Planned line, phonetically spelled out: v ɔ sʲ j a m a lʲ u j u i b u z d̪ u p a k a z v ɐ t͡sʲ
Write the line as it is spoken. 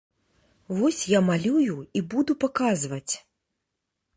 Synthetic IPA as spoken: v ɔ sʲ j a m a lʲ u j u i b u d̪ u p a k a z v ɐ t͡sʲ